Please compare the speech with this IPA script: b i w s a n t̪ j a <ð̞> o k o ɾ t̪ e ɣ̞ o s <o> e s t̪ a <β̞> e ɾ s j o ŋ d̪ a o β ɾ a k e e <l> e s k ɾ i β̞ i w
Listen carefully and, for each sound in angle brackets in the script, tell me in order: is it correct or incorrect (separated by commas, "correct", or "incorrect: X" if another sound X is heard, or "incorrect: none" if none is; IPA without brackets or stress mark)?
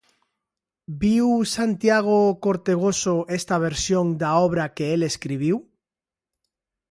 incorrect: ɣ̞, correct, correct, correct